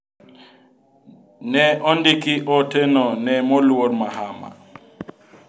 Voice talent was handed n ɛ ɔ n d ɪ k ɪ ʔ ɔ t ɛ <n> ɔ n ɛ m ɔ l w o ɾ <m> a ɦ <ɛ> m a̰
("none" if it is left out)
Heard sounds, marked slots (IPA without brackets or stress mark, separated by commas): n, m, a